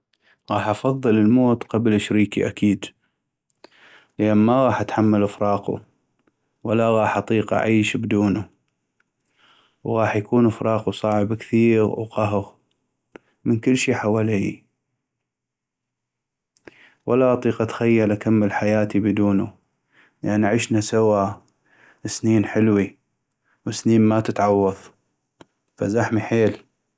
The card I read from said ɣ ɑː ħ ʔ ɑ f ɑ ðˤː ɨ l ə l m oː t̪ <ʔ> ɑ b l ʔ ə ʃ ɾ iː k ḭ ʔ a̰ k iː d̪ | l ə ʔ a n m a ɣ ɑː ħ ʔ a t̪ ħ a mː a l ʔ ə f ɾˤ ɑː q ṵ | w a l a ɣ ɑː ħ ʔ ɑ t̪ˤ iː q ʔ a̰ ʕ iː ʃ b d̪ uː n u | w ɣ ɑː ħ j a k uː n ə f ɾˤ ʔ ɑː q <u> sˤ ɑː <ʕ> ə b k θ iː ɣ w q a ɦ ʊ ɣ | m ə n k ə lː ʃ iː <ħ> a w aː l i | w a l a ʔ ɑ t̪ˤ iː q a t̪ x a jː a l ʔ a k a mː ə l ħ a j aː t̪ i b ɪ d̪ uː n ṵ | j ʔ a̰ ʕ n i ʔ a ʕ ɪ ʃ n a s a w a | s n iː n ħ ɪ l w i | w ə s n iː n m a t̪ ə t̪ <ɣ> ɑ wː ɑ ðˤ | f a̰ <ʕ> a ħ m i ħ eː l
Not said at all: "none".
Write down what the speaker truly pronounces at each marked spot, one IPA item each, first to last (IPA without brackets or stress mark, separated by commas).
q, u, ʕ, ħ, ʕ, z